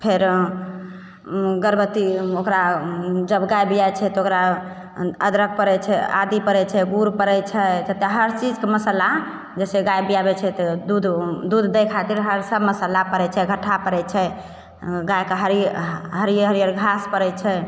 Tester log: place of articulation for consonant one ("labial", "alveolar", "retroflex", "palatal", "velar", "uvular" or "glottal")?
labial